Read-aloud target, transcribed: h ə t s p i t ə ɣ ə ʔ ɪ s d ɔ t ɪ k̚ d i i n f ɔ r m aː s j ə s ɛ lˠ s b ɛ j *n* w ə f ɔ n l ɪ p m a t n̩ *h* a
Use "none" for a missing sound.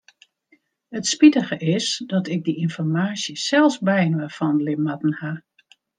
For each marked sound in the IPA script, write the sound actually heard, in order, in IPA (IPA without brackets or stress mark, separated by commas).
n, h